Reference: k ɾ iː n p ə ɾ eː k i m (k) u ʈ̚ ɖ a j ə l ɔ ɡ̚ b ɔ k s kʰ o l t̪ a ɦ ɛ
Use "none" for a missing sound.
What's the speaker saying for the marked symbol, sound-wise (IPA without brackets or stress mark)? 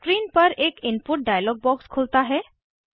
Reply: p